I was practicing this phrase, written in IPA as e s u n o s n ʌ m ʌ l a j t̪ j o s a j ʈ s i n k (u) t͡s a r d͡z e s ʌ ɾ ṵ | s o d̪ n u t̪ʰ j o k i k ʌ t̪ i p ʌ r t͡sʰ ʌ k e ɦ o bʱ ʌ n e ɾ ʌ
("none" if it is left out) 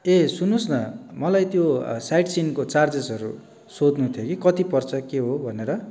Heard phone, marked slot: o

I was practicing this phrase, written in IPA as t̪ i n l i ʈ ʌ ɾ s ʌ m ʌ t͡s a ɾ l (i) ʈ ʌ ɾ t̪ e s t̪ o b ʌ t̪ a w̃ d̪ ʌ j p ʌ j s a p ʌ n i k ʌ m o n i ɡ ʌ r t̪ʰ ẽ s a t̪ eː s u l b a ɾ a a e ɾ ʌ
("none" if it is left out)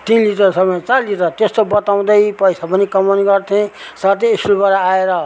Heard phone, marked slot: i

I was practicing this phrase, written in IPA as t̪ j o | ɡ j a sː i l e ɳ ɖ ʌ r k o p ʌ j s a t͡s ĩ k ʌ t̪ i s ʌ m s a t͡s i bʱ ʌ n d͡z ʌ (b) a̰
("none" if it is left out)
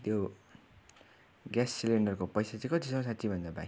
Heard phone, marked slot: b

